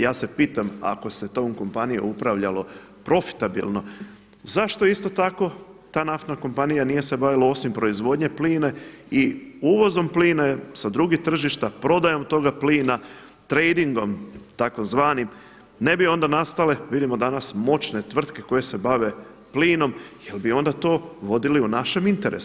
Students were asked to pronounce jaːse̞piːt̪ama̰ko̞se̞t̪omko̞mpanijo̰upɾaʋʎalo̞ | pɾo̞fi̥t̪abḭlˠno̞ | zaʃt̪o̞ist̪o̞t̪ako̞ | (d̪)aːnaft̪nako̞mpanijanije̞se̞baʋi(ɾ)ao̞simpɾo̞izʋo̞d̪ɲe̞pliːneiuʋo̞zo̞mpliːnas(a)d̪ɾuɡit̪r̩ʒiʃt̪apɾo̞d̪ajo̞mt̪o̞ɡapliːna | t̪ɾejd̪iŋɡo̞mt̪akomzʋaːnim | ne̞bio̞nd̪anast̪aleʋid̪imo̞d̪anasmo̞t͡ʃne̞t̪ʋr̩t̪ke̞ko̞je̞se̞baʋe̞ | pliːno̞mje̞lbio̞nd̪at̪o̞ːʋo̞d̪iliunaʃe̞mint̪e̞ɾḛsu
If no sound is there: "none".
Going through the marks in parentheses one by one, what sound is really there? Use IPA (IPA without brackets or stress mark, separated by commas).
t̪, l, a